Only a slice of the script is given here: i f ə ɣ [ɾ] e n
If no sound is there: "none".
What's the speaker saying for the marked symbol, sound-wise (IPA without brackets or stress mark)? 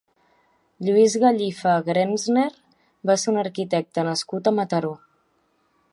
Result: ɾ